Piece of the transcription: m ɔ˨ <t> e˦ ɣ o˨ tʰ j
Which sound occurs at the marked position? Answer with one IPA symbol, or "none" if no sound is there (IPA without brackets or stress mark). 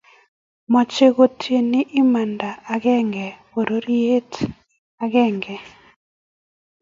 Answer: t͡ʃ